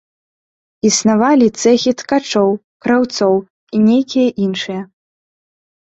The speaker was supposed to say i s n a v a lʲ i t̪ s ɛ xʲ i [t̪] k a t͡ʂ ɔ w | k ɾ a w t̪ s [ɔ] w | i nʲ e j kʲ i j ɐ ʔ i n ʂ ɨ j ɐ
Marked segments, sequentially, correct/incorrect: correct, correct

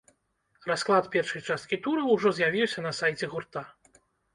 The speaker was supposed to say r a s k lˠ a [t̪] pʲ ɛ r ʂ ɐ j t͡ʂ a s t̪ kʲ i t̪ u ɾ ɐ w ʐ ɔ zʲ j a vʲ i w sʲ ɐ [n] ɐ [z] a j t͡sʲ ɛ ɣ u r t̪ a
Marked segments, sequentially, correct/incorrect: correct, correct, incorrect: s

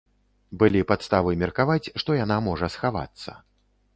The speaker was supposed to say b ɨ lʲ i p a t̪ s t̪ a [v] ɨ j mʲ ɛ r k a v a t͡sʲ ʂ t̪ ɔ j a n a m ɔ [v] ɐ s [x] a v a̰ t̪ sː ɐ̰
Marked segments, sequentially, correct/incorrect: correct, incorrect: ʐ, correct

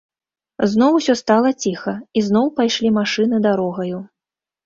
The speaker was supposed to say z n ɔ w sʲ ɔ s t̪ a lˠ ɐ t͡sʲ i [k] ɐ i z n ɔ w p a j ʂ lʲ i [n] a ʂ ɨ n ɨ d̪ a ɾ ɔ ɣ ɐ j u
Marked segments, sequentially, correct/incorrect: incorrect: x, incorrect: m

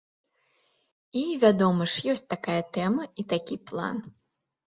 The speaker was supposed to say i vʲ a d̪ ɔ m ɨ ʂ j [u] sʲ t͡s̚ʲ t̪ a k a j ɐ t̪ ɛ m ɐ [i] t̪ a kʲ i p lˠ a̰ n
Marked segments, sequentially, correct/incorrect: incorrect: ɔ, correct

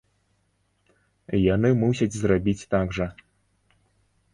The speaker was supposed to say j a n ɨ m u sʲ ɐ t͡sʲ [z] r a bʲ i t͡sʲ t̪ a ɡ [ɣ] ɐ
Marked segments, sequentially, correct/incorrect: correct, incorrect: ʐ

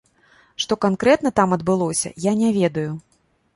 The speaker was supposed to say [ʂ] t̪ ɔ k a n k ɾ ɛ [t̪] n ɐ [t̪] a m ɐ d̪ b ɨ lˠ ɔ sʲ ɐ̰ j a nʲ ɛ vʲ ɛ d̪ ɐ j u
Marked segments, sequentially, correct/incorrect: correct, correct, correct

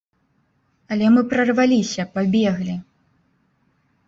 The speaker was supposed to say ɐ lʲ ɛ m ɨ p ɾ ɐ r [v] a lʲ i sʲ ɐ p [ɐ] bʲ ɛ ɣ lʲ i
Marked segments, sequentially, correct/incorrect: correct, incorrect: a

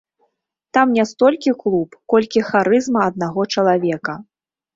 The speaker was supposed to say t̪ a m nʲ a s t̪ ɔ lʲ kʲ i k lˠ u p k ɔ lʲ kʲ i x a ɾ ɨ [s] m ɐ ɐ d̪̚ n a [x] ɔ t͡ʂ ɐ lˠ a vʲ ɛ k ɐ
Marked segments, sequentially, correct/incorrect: incorrect: z, incorrect: ɣ

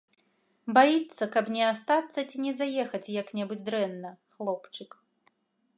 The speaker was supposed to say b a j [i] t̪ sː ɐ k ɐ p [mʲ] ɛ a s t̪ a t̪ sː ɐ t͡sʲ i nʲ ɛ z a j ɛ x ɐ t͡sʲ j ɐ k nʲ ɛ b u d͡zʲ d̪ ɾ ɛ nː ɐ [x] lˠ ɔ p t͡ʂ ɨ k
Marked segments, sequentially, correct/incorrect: correct, incorrect: nʲ, correct

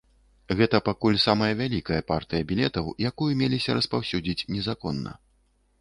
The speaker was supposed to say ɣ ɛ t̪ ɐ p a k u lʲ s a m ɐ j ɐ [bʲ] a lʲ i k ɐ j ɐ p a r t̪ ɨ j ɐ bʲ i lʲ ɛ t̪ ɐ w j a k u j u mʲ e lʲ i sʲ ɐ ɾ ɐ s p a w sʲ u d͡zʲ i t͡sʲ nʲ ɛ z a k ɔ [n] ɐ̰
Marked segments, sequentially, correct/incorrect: incorrect: vʲ, incorrect: nː

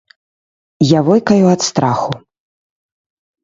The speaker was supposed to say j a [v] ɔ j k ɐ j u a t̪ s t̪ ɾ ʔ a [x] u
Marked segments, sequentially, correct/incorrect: correct, correct

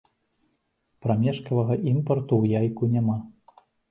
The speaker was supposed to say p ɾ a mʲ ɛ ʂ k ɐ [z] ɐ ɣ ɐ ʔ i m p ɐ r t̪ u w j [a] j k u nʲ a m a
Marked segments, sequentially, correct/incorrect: incorrect: v, correct

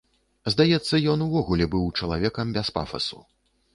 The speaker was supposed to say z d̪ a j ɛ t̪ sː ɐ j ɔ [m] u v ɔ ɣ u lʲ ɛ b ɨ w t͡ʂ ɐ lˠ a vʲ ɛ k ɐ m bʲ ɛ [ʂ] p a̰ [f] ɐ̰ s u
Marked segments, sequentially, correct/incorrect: incorrect: n, incorrect: s, correct

